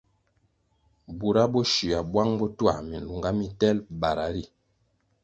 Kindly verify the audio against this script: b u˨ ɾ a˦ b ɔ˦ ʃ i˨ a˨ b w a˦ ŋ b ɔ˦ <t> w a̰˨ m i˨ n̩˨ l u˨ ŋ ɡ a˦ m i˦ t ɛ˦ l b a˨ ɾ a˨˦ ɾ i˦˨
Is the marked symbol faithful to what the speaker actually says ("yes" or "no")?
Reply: yes